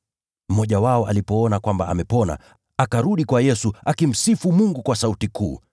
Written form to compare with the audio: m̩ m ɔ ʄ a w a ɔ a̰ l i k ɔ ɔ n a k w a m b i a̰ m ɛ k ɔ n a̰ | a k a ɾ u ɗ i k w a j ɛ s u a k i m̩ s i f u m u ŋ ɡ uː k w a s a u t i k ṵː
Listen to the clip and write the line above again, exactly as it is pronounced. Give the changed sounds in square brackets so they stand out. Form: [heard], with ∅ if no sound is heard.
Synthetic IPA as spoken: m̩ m ɔ ʄ a w a ɔ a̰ l i [p] ɔ ɔ n a k w a m b [a] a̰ m ɛ [p] ɔ n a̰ | a k a ɾ u ɗ i k w a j ɛ s u a k i m̩ s i f u m u ŋ ɡ [u] k w a s a u t i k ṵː